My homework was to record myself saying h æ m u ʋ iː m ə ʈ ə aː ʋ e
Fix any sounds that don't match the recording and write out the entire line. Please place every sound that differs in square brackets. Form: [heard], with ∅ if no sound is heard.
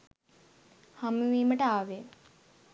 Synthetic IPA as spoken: h [a] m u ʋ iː m ə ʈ ə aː ʋ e